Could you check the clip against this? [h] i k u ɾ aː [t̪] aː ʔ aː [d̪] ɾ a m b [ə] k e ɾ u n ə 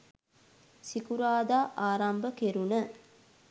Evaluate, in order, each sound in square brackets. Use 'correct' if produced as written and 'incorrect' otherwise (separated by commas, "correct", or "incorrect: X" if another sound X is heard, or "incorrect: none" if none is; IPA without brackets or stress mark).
incorrect: s, incorrect: d̪, incorrect: none, correct